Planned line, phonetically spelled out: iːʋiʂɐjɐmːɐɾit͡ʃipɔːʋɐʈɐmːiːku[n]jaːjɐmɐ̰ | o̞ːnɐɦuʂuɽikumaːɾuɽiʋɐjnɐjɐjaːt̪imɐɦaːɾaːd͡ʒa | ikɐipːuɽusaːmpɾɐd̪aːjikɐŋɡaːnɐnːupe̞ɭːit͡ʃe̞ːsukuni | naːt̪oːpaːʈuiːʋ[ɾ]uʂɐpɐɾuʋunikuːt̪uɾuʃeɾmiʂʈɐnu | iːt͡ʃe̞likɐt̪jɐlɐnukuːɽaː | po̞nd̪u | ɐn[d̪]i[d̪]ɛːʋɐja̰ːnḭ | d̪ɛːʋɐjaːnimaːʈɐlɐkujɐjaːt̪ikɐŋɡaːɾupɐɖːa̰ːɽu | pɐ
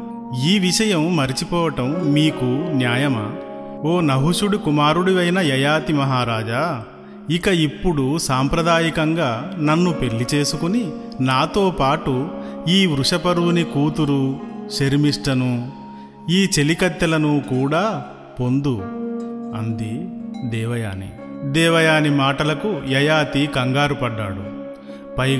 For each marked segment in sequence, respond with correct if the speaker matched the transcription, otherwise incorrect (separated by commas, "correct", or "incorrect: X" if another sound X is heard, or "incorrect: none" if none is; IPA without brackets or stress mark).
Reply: correct, correct, correct, correct